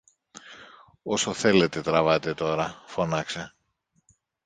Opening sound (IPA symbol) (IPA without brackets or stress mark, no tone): o̞